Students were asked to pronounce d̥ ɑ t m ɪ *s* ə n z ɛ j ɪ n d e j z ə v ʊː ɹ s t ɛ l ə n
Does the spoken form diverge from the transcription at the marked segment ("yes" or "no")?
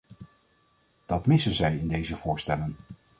no